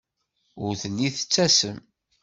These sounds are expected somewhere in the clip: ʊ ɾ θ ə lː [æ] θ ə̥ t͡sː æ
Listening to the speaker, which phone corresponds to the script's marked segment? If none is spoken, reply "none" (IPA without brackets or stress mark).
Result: i